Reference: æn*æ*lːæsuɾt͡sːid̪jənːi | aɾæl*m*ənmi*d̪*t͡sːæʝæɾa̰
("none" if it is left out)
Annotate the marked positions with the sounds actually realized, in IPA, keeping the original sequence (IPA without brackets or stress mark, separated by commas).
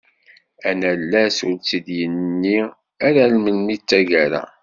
æ, m, none